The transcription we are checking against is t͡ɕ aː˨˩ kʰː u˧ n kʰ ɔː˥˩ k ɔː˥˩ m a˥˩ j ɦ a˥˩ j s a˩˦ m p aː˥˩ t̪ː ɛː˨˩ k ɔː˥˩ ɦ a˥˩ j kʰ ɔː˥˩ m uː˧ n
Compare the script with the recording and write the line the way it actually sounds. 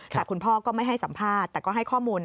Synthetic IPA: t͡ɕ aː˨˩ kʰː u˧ n pʰ ɔː˥˩ k ɔː˥˩ m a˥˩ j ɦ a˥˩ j s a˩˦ m pʰ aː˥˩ t̪ː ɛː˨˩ k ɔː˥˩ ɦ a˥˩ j kʰ ɔː˥˩ m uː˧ n